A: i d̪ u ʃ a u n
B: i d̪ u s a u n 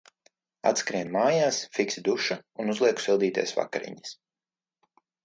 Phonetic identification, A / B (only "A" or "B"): A